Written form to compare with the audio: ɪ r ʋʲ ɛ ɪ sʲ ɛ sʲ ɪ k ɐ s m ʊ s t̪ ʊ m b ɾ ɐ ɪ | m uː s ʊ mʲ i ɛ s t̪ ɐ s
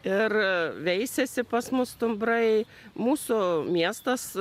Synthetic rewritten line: ɪ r ʋʲ ɛ ɪ sʲ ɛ sʲ ɪ p ɐ s m ʊ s t̪ ʊ m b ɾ ɐ ɪ | m uː s ʊ mʲ i ɛ s t̪ ɐ s